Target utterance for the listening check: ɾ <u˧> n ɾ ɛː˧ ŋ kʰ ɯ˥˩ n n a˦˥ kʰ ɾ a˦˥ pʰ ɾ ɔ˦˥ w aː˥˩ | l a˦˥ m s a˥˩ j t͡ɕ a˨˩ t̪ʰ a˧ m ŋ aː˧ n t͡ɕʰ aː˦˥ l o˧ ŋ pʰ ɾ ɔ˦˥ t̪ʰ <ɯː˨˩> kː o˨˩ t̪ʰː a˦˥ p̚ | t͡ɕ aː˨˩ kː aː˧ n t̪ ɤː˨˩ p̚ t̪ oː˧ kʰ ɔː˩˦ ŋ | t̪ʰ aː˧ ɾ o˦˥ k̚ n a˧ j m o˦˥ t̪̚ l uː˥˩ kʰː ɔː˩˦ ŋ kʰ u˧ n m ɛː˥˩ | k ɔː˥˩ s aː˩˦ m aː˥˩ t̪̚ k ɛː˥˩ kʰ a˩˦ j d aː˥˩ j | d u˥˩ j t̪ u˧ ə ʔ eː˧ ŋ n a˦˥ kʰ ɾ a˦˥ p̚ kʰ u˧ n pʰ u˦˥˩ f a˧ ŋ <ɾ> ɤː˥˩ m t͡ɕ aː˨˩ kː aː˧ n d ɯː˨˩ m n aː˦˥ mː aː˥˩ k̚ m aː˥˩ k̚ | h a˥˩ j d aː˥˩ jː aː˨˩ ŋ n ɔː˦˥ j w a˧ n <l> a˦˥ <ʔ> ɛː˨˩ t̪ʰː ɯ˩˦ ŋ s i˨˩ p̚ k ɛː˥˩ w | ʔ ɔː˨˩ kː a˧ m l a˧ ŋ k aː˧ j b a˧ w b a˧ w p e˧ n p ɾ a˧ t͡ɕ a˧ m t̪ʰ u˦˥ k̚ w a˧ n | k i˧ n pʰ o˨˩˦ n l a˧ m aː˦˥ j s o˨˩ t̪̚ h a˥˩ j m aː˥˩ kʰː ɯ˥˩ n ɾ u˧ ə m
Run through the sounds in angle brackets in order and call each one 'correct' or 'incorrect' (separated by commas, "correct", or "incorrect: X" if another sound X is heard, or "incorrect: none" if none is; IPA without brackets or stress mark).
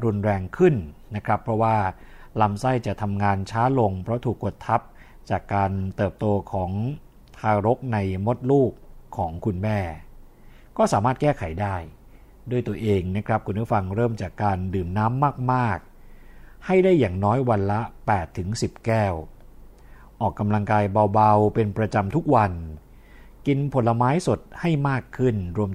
correct, incorrect: uː˨˩, correct, correct, incorrect: p